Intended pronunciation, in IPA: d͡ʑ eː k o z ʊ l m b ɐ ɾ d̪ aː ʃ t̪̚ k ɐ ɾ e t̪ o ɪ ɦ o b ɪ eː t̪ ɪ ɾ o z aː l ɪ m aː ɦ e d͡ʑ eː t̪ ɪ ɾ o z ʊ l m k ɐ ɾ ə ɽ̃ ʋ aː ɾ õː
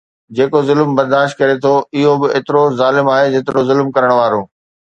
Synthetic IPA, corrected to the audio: d͡ʑ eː k o z ʊ l m b ɐ ɾ d̪ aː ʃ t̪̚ k ɐ ɾ e t̪ʰ o ɪ ɦ o b ɪ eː t̪ ɪ ɾ o z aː l ɪ m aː ɦ e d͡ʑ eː t̪ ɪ ɾ o z ʊ l m k ɐ ɾ ə ɽ̃ ʋ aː ɾ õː